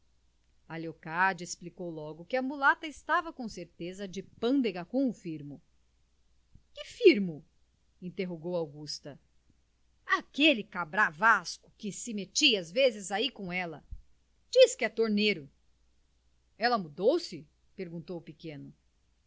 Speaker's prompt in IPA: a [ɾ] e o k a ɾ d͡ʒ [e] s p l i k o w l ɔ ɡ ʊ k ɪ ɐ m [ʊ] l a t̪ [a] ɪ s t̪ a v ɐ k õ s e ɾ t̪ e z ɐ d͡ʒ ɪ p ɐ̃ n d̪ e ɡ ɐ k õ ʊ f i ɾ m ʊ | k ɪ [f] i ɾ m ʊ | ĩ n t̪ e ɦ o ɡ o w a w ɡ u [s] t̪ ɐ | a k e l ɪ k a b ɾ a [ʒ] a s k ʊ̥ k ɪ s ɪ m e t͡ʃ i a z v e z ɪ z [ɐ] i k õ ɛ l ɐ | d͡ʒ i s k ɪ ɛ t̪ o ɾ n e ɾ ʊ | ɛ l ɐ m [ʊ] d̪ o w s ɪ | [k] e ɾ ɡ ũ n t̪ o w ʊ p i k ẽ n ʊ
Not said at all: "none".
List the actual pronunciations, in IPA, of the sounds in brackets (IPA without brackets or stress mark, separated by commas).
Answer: l, e, u, ɐ, f, s, v, a, u, p